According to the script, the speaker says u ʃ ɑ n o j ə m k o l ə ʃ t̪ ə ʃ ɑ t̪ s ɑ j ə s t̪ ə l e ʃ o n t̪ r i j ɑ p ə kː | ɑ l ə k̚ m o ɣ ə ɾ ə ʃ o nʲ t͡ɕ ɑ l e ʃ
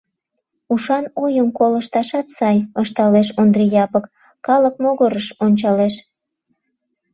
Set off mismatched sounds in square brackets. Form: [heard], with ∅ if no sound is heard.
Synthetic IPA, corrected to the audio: u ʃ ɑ n o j ə m k o l ə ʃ t̪ [ɑ] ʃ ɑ t̪ s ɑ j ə [ʃ] t̪ [ɑ] l e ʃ o n [d̪] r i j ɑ p ə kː | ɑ l ə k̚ m o ɣ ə ɾ ə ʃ o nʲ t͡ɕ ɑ l e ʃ